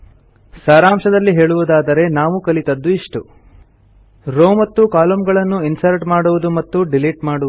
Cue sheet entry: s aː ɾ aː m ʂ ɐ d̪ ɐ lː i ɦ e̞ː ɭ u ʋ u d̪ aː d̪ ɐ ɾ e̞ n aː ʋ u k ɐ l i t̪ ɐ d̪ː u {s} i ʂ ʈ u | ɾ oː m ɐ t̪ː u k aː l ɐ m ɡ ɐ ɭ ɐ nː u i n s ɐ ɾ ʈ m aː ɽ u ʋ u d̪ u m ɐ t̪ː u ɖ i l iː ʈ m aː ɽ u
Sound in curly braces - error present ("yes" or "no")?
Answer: yes